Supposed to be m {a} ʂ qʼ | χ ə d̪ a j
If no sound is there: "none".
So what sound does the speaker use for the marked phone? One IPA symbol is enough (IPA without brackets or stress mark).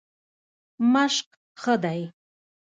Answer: a